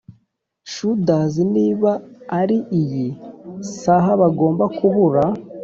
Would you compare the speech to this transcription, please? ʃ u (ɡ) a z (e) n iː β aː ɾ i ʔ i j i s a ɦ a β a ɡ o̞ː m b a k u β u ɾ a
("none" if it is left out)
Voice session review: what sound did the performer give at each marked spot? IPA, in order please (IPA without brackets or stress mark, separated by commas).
d, i